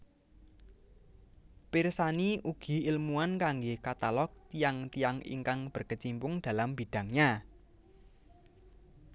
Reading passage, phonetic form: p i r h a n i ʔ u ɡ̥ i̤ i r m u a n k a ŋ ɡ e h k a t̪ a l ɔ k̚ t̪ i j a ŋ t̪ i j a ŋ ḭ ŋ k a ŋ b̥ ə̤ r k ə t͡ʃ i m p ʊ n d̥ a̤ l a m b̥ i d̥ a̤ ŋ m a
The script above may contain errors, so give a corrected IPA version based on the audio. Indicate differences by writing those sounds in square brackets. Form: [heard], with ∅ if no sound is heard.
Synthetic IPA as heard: p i r [s] a n i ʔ u ɡ̥ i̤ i [l] m u a n k a ŋ ɡ e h k a t̪ a l ɔ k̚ t̪ i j a ŋ t̪ i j a ŋ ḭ ŋ k a ŋ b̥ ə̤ r k ə t͡ʃ i m p ʊ [ŋ] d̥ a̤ l a m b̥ i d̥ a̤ ŋ [ɲ] a